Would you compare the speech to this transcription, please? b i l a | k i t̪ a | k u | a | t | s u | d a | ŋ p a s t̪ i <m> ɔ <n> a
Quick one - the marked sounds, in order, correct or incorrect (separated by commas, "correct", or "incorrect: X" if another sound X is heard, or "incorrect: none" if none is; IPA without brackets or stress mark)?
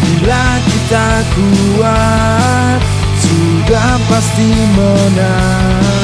correct, correct